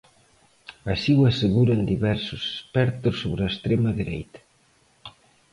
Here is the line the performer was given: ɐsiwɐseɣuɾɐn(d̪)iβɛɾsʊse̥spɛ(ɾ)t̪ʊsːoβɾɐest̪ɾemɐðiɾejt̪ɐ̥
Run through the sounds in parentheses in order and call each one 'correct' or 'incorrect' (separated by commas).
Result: correct, correct